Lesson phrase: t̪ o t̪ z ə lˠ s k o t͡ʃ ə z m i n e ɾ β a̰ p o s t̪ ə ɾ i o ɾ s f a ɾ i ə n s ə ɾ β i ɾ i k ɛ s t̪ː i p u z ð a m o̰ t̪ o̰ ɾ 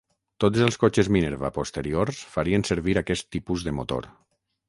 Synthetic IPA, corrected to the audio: t̪ o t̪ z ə lˠ s k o t͡ʃ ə z m i n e ɾ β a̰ p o s t̪ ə ɾ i o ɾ s f a ɾ i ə n s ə ɾ β i ɾ a k ɛ s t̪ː i p u z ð ə m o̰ t̪ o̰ ɾ